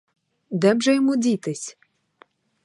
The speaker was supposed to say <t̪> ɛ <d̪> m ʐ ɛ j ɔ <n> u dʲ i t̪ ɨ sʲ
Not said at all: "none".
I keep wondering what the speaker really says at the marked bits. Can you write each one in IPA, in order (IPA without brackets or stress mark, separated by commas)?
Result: d̪, none, m